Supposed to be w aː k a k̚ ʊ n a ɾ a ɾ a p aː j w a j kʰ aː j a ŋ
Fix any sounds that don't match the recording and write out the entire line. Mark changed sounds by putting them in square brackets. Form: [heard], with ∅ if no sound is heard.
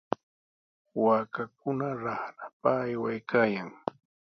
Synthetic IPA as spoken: w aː k a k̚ ʊ n a ɾ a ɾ a p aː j w a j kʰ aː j a ŋ